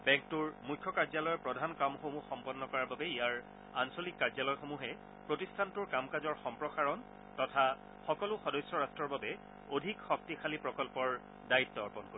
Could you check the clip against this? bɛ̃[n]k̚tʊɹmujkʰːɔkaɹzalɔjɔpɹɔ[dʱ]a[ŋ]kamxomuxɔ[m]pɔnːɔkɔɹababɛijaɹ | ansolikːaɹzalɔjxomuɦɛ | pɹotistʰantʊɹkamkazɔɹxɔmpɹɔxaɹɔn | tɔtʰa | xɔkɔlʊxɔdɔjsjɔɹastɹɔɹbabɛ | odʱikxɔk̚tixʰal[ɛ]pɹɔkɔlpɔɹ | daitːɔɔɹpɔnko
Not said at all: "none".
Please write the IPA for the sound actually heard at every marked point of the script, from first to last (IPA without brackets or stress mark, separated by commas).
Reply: ŋ, dʱ, n, m, i